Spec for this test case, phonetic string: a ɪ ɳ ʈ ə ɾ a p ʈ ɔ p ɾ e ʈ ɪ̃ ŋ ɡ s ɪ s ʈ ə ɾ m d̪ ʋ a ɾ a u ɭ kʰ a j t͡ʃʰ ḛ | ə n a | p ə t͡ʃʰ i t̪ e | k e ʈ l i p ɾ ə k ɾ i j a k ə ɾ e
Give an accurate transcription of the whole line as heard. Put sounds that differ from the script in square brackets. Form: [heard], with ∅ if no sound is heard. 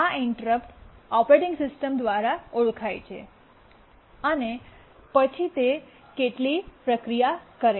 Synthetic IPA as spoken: a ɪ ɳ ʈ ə ɾ [ə] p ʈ ɔ p ɾ e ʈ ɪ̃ ŋ ɡ s ɪ s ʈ ə [∅] m d̪ ʋ a ɾ a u ɭ kʰ a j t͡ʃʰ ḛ | ə n [e] | p ə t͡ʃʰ i t̪ e | k e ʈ l i p ɾ ə k ɾ i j a k ə ɾ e